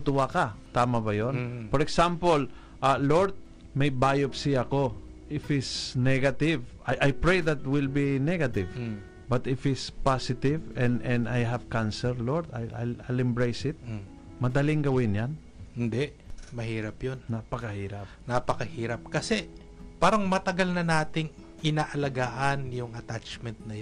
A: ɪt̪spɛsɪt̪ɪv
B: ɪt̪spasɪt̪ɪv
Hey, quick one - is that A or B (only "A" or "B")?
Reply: B